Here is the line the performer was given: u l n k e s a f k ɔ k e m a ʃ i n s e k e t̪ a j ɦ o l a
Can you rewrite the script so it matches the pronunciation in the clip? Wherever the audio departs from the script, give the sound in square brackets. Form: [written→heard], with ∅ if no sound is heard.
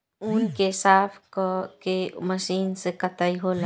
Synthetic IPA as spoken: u [l→∅] n k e s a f k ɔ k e m a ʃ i n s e k [e→a] t̪ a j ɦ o l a